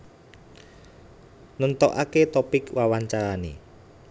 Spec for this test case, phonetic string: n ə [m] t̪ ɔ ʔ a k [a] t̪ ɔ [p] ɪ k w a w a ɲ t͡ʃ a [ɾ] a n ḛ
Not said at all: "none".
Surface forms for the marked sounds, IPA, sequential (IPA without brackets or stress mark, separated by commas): n, e, p, ɾ